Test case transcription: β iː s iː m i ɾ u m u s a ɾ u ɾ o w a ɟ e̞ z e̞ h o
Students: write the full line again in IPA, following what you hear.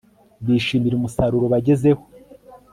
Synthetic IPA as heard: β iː ʃ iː m i ɾ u m u s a ɾ u ɾ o β a ɟ e̞ z e̞ h o